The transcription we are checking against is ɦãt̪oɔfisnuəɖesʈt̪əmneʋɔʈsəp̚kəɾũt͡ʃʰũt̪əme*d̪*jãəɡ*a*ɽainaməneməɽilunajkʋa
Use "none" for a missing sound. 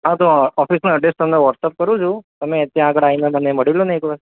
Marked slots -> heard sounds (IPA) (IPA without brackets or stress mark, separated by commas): t̪, ə